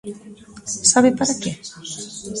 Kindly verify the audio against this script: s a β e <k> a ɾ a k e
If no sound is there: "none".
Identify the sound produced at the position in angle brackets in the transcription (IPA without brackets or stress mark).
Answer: p